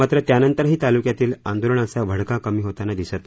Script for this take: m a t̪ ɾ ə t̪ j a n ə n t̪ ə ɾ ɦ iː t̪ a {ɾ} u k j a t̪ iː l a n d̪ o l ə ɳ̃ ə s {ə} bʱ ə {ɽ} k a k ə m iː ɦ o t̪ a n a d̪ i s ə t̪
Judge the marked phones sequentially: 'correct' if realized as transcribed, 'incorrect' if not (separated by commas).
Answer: incorrect, incorrect, correct